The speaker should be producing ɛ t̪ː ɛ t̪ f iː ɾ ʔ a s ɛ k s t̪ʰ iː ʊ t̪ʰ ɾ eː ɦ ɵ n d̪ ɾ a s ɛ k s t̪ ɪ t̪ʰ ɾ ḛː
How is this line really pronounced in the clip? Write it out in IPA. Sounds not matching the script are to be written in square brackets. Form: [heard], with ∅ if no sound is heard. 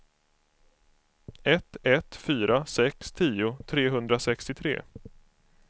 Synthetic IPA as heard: ɛ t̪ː ɛ t̪ f [yː] ɾ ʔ a s ɛ k s t̪ʰ iː ʊ t̪ʰ ɾ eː ɦ ɵ n d̪ ɾ a s ɛ k s t̪ ɪ t̪ʰ ɾ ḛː